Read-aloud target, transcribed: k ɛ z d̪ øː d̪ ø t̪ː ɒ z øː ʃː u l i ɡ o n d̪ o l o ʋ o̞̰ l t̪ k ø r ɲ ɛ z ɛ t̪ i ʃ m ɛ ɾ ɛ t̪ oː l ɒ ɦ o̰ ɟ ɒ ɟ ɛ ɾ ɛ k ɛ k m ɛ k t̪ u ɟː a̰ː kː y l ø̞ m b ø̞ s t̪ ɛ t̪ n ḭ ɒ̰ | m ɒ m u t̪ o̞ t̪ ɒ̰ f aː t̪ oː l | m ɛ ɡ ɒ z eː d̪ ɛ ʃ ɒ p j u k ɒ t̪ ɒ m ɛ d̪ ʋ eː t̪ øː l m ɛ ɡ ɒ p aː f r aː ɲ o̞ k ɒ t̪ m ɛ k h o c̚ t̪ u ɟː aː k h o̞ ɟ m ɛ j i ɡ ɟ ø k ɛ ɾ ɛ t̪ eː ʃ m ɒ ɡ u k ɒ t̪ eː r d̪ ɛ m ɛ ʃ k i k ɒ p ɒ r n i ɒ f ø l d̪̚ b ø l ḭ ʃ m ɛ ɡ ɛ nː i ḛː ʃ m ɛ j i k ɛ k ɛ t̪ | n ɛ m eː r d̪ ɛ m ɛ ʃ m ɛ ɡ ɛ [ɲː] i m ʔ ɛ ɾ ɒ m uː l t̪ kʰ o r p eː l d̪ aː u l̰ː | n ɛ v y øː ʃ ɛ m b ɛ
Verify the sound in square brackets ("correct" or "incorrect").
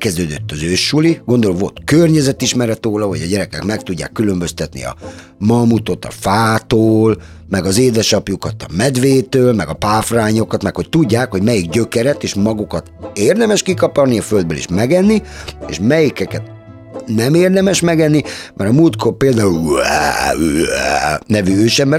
incorrect